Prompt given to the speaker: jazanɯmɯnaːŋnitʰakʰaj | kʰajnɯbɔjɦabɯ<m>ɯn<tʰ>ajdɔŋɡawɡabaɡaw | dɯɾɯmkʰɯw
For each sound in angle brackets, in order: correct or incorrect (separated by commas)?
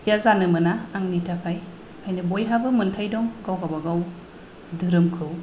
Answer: correct, correct